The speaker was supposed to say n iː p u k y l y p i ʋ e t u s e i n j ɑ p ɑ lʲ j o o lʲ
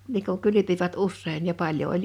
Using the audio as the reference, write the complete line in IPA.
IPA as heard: n iː k u k y l y p i ʋ æ t u sː e i n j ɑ p ɑ lʲ j o o lʲ